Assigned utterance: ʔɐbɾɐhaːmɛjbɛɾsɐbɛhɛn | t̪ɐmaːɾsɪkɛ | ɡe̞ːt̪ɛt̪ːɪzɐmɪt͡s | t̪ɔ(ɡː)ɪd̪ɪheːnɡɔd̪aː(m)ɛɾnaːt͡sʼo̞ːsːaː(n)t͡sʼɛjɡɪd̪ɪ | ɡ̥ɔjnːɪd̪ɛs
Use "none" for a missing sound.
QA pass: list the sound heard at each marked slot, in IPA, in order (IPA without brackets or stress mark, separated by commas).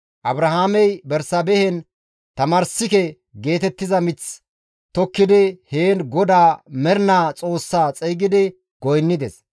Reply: kː, m, none